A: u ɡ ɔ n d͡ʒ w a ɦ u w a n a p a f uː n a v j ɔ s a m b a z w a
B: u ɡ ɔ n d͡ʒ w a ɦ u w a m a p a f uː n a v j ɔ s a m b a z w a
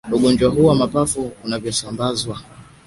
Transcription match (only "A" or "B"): B